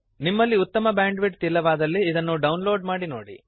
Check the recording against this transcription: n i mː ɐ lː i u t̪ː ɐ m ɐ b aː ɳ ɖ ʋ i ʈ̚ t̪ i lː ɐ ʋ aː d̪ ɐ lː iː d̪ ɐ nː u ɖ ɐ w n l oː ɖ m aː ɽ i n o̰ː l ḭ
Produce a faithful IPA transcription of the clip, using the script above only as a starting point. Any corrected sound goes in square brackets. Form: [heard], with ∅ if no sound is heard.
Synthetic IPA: n i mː ɐ lː i u t̪ː ɐ m ɐ b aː ɳ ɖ ʋ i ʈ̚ t̪ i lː ɐ ʋ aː d̪ ɐ lː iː d̪ ɐ nː u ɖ ɐ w n l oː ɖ m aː ɽ i n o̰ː [ɽ] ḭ